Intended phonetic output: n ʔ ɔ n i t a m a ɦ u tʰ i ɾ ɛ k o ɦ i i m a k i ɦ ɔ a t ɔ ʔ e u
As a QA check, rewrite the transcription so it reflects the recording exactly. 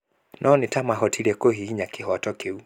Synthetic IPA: n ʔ ɔ n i t a m a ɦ ɔ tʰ i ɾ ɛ k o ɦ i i ɲ a k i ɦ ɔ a t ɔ k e u